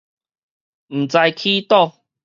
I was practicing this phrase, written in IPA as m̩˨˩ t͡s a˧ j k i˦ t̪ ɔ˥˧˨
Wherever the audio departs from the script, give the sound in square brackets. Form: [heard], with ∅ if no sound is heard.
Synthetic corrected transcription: m̩˨˩ t͡s a˧ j [kʰ] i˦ t̪ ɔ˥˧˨